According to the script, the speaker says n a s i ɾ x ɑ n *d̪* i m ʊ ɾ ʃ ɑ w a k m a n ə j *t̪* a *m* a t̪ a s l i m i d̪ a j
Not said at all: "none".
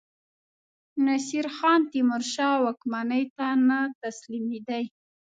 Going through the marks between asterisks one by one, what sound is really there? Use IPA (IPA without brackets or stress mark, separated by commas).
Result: t̪, t̪, n